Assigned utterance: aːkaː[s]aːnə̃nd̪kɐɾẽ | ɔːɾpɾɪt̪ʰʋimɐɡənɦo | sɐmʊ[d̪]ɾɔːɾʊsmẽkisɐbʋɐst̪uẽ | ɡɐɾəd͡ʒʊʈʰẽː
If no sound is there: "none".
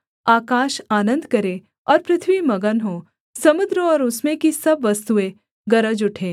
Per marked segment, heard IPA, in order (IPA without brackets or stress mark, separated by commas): ʃ, d̪